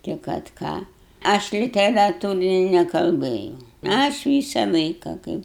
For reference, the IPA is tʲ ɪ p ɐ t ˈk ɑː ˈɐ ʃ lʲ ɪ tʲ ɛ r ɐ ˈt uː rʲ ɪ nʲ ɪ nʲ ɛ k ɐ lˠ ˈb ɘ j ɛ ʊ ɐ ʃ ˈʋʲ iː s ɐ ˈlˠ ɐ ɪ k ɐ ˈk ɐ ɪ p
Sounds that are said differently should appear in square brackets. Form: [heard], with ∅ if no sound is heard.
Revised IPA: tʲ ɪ [k] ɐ t ˈk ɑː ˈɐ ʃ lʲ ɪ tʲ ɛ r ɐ ˈt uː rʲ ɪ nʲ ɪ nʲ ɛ k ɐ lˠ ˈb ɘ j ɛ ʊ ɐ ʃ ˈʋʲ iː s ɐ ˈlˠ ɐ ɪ k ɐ ˈk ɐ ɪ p